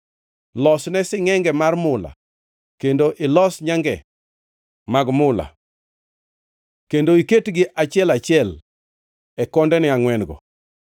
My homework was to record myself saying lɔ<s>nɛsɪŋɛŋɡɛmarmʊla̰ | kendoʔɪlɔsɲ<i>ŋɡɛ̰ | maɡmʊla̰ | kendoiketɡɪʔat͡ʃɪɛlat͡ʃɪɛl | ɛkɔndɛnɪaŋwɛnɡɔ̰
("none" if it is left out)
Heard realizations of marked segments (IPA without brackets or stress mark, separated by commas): s, a